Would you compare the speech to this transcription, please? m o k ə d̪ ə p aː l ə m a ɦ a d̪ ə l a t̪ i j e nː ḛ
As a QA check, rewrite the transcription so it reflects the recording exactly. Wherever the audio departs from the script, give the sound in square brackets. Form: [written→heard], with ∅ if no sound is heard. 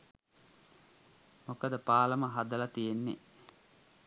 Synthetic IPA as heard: m o k ə d̪ ə p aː l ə m [a→ə] ɦ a d̪ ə l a t̪ i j e nː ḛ